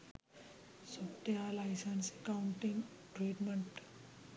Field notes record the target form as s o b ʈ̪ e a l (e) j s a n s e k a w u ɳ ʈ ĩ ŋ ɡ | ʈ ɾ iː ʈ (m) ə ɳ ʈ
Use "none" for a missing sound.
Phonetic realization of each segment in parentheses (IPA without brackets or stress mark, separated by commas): a, m